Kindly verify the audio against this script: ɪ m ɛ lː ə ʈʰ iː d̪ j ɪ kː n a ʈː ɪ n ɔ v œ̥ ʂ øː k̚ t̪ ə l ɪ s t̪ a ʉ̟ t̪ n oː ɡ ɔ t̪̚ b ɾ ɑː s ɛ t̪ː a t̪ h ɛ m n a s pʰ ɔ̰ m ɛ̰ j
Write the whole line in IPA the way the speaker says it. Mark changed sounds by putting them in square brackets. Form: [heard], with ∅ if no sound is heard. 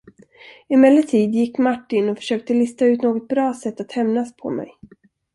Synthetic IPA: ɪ m ɛ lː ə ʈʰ iː d̪ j ɪ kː [m] a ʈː ɪ n ɔ [f] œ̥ ʂ øː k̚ t̪ ə l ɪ s t̪ a ʉ̟ t̪ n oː ɡ ɔ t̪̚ b ɾ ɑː s ɛ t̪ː a t̪ h ɛ m n a s pʰ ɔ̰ m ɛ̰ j